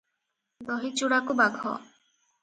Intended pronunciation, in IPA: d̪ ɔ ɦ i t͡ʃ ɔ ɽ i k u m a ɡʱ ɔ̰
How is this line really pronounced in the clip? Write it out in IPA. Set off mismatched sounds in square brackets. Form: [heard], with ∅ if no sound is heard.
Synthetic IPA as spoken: d̪ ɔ ɦ i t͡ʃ [u] ɽ [a] k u [b] a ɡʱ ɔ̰